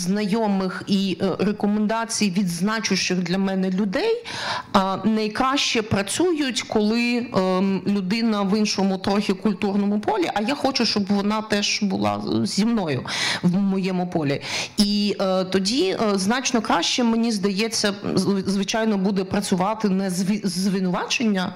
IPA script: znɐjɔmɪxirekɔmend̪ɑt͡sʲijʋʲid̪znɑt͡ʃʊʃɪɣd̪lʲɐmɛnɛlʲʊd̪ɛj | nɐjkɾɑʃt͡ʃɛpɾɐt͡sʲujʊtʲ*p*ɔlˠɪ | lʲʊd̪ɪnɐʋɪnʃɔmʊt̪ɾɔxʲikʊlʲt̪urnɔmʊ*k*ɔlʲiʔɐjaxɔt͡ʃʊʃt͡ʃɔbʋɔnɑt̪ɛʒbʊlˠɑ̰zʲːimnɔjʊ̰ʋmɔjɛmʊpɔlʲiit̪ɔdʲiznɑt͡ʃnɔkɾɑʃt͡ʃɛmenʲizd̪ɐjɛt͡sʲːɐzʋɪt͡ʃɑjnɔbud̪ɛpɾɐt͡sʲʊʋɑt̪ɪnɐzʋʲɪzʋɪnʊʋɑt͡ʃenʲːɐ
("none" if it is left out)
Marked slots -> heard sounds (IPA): k, p

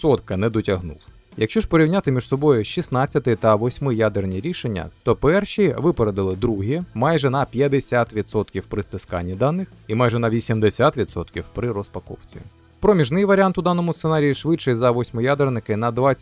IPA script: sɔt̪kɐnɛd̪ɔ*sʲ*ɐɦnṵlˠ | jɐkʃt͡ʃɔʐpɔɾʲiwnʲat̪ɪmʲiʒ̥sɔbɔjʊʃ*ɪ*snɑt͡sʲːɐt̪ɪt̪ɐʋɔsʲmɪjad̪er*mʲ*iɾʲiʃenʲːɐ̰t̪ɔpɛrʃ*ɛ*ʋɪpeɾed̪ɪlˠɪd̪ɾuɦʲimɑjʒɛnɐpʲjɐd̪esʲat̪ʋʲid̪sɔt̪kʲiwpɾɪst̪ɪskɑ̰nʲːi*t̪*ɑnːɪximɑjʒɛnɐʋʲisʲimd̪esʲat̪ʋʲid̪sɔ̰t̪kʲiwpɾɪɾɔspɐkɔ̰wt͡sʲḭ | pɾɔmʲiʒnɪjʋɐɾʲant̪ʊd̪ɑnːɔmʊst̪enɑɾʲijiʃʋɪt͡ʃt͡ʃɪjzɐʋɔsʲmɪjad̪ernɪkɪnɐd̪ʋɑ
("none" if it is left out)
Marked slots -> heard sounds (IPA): tʲ, i, nʲ, i, d̪

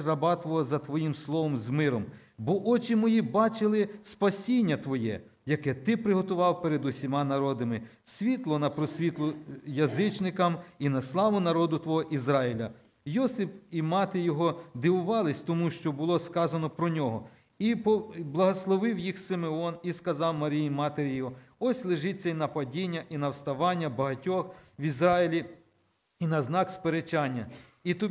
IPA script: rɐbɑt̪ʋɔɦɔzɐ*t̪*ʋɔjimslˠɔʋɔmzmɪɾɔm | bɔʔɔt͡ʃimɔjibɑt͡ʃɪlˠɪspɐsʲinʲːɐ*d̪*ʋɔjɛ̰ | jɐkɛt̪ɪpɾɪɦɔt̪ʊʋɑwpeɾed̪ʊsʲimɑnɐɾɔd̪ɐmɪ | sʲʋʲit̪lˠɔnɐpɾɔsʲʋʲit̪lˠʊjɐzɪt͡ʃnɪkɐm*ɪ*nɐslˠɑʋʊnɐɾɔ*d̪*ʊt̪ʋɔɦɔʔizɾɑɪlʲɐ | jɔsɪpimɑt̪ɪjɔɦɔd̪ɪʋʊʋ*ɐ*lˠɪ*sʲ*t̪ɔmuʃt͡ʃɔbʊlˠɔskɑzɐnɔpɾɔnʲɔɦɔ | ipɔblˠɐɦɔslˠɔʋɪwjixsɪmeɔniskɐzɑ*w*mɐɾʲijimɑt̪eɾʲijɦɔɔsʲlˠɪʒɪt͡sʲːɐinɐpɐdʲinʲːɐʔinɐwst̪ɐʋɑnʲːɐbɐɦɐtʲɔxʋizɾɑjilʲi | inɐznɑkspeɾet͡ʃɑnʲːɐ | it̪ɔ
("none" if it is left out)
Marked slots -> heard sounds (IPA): t̪, t̪, i, d̪, ɑ, sʲ, w

